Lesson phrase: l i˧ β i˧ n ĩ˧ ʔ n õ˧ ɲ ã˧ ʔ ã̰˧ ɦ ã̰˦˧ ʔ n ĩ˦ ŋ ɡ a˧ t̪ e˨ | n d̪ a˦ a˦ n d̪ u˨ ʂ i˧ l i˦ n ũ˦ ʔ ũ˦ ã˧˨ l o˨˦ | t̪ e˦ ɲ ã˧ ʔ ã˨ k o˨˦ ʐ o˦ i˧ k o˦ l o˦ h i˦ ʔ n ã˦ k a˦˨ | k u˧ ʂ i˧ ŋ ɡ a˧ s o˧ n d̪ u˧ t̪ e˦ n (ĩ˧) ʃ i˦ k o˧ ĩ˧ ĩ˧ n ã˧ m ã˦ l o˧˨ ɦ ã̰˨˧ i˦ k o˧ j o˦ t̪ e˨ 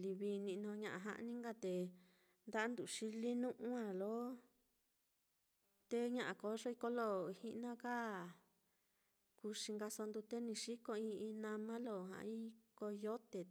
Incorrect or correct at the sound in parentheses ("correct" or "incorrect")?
correct